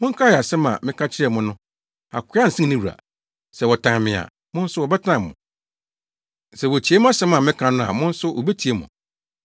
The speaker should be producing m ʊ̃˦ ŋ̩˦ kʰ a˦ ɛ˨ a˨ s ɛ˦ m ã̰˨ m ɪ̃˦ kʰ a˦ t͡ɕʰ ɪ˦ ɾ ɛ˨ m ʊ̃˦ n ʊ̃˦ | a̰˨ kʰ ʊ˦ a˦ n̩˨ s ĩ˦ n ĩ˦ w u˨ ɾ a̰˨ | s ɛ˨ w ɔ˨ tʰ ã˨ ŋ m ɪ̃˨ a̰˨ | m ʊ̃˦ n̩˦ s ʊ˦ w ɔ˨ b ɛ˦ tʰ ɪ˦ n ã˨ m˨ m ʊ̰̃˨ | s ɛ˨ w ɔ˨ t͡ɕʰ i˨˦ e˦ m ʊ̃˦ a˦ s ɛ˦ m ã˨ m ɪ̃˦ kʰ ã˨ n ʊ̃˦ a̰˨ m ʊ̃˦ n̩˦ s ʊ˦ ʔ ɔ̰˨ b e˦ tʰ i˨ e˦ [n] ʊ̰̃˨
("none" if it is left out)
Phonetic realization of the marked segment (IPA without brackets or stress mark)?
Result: m